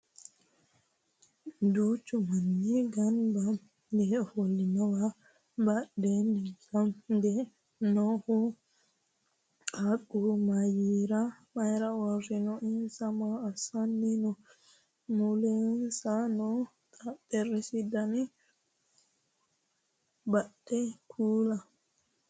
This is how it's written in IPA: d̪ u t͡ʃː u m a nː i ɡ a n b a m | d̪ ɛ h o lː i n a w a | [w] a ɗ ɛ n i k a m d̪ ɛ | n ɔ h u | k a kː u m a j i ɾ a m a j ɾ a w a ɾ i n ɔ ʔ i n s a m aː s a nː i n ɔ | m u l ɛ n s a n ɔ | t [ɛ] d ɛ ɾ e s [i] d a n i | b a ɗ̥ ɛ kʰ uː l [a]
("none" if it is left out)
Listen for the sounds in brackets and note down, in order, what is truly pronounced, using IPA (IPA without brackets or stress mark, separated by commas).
b, a, i, a